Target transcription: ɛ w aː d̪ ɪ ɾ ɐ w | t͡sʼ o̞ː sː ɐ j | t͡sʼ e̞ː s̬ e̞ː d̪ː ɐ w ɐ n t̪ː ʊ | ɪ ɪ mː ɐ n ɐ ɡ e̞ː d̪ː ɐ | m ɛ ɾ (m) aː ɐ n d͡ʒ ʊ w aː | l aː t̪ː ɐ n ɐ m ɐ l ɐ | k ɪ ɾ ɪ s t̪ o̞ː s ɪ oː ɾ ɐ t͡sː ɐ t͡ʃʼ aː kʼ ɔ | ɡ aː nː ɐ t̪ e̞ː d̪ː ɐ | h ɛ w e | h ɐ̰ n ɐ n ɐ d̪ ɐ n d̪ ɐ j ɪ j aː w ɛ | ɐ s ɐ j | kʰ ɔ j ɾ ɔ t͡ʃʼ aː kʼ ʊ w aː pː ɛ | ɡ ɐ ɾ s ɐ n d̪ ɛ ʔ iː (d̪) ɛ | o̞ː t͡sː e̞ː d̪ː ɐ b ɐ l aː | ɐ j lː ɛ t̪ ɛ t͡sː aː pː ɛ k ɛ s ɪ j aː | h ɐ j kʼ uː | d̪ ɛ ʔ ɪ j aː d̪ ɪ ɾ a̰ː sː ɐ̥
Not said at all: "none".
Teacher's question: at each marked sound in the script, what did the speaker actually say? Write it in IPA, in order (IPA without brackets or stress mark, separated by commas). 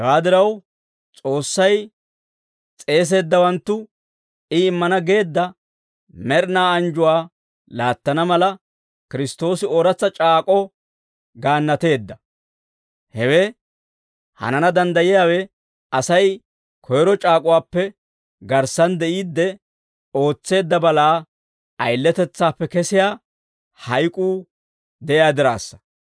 n, d̪ː